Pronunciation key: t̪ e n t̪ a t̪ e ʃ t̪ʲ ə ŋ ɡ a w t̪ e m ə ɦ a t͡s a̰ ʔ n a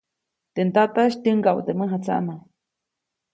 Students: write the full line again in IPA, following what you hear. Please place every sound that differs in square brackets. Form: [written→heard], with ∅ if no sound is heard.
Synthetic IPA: t̪ e n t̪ a t̪ [e→a] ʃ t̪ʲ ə ŋ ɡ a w t̪ e m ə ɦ a t͡s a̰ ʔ n a